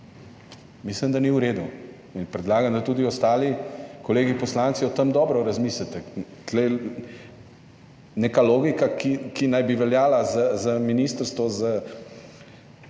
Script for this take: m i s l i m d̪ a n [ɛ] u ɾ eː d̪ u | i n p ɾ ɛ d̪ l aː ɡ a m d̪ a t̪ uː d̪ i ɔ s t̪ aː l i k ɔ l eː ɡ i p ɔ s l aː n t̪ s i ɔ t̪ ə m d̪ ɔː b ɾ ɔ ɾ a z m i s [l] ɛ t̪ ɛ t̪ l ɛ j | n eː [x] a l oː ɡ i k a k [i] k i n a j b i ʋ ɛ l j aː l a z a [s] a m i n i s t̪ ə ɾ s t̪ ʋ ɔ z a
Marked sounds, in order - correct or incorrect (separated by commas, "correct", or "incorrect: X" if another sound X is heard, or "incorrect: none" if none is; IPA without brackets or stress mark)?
incorrect: i, correct, incorrect: k, correct, incorrect: z